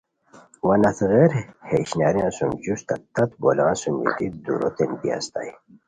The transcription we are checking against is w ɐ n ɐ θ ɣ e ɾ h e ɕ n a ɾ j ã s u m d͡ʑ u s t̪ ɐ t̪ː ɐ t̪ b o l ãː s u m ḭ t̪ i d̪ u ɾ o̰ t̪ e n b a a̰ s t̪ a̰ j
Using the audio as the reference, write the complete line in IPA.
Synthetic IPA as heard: w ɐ n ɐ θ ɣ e ɾ h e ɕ n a ɾ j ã s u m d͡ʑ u s t̪ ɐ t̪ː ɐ t̪ b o l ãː s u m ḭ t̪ i d̪ u ɾ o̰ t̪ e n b i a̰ s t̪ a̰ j